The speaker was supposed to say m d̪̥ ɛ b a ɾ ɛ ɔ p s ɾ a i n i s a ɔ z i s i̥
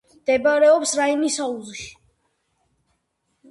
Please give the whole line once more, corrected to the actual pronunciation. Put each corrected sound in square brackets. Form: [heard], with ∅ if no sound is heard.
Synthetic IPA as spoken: m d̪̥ ɛ b a ɾ ɛ ɔ p s ɾ a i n i s a [u] z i [ʃ] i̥